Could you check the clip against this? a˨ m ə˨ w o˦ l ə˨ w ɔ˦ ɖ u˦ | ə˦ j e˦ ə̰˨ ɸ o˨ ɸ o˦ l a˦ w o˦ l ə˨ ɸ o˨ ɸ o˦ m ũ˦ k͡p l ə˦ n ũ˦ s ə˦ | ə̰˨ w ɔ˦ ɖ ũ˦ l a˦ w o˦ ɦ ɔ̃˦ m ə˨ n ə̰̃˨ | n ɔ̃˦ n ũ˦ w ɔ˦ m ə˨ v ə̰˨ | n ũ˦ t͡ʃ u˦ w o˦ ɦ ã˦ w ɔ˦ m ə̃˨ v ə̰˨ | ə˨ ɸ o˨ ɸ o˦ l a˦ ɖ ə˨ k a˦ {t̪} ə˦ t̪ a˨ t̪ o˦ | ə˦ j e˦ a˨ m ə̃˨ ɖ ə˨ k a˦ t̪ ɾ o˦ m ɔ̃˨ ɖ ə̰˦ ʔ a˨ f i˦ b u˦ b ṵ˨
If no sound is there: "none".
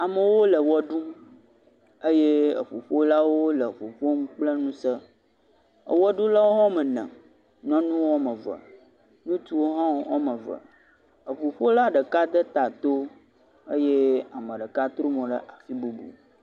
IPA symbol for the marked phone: d̪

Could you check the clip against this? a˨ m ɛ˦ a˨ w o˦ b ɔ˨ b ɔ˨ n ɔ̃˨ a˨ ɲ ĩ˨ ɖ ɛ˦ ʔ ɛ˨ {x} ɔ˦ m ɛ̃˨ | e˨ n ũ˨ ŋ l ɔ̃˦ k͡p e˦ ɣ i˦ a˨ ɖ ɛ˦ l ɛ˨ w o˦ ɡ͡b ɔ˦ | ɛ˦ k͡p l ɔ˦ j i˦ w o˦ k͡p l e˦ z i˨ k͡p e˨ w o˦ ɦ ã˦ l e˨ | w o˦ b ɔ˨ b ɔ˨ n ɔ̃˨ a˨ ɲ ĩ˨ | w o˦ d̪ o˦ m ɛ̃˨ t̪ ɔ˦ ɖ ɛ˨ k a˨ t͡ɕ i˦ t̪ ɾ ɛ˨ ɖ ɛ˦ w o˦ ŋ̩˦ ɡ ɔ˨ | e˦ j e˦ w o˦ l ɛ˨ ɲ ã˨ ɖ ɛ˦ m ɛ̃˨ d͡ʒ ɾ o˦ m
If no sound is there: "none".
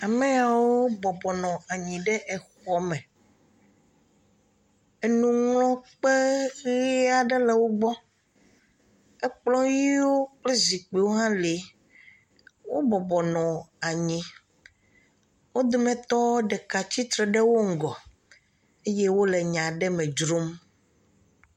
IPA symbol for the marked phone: x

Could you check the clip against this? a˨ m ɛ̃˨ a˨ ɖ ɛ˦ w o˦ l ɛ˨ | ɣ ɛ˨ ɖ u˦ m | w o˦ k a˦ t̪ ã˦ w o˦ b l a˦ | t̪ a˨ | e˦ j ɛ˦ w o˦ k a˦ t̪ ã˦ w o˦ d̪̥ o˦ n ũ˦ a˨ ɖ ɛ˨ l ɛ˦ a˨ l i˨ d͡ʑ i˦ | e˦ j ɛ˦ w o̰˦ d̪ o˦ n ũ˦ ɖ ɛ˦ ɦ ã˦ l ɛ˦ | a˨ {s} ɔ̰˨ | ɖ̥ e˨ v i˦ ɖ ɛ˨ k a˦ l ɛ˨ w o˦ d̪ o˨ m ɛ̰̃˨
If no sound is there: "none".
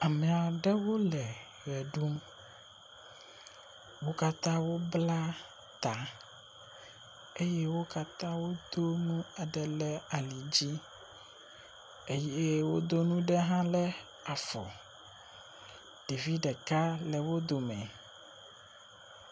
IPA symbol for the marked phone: f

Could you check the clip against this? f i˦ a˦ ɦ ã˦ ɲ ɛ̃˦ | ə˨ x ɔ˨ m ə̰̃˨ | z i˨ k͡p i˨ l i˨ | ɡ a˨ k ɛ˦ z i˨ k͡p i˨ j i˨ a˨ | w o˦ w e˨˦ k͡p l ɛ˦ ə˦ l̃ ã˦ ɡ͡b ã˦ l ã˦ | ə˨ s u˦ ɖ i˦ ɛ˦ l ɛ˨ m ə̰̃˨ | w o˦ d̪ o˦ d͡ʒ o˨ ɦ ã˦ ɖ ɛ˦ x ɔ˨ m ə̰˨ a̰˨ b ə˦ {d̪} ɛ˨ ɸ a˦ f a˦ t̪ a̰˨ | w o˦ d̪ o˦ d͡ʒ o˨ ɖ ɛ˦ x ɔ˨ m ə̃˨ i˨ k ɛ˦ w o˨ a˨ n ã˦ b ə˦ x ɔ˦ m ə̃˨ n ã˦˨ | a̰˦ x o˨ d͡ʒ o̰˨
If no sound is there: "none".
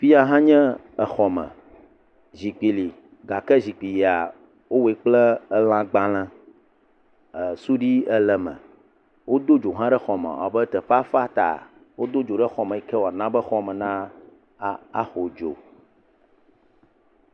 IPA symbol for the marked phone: t̪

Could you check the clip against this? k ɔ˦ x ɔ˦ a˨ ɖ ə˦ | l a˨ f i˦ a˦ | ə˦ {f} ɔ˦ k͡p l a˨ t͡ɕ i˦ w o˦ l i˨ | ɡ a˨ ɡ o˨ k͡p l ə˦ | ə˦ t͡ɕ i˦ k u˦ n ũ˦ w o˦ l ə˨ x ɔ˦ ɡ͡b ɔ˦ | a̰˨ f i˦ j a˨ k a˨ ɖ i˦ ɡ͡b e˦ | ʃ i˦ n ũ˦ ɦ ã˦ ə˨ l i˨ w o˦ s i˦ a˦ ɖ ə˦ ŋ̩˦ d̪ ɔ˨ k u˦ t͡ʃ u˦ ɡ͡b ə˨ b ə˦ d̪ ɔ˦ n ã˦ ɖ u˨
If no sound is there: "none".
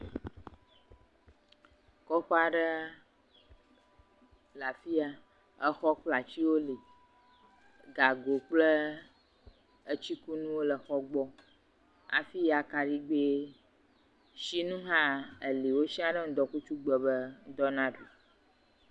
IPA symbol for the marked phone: x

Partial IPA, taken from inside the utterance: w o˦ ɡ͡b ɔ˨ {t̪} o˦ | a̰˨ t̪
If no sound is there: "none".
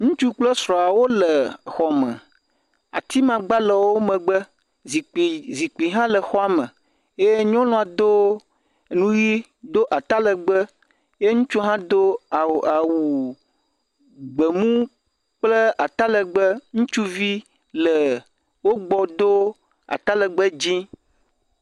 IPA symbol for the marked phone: d̪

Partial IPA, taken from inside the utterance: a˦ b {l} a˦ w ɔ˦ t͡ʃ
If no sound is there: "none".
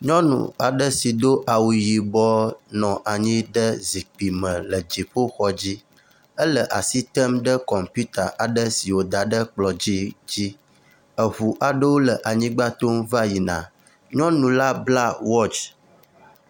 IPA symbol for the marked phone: l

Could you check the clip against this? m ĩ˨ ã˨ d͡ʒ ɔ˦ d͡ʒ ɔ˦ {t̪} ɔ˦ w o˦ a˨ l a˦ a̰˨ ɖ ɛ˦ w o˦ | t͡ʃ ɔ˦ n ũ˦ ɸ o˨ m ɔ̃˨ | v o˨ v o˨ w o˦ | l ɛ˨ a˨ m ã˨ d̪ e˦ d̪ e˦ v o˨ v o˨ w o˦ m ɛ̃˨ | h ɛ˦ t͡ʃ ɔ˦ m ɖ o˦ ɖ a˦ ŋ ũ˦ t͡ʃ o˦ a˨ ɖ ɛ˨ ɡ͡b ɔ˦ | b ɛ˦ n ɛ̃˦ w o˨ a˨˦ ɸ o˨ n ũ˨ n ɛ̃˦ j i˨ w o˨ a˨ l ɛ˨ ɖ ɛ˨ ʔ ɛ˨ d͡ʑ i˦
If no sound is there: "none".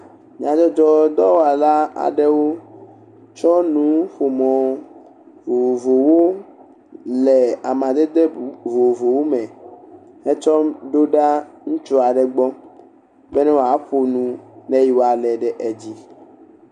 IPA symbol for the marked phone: d̪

